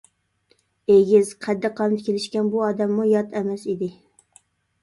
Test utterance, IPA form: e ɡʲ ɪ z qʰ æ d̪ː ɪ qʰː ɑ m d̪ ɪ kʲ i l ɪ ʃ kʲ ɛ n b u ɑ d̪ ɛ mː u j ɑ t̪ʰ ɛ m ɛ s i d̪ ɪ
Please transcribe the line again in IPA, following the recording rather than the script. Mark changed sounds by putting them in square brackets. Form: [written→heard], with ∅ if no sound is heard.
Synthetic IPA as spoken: e ɡʲ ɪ z qʰ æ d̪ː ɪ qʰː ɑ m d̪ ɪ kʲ [i→e] l ɪ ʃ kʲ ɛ n b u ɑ d̪ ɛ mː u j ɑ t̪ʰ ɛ m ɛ s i d̪ ɪ